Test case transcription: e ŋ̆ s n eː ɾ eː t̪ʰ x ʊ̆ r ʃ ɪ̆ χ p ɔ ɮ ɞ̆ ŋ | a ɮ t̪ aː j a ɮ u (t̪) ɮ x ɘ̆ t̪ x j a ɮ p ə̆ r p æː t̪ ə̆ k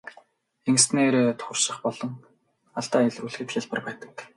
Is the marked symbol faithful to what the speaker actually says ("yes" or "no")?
no